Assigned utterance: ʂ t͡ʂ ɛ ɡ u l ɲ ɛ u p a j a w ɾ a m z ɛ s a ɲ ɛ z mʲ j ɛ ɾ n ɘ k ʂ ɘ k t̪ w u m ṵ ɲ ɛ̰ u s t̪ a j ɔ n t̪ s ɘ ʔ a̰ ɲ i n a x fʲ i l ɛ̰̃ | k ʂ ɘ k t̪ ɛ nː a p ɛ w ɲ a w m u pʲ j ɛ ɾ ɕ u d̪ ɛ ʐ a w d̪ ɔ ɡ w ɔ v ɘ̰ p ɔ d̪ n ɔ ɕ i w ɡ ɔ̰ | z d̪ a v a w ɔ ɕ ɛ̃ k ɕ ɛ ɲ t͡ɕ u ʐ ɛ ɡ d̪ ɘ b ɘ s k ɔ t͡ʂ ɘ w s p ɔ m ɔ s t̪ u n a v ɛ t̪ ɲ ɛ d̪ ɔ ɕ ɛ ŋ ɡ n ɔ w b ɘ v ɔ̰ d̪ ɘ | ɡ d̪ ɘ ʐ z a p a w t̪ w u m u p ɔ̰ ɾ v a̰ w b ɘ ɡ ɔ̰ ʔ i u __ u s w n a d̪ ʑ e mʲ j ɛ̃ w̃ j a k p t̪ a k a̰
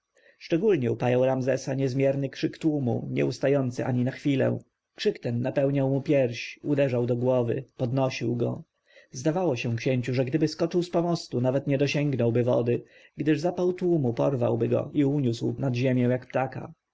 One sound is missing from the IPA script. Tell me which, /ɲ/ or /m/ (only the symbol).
ɲ